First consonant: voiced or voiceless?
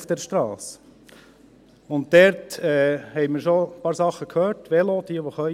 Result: voiceless